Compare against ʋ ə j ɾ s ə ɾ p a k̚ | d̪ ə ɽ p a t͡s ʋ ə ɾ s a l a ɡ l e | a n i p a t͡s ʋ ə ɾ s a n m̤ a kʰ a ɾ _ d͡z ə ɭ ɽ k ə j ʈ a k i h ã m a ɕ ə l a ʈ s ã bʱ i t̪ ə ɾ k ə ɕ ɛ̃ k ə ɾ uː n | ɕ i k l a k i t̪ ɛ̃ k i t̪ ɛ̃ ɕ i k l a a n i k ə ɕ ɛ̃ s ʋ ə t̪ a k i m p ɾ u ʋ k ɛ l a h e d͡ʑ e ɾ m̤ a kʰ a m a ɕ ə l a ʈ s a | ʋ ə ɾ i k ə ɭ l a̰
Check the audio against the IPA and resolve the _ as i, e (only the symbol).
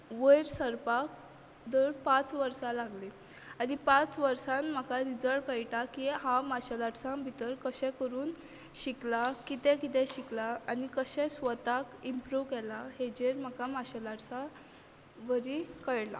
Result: i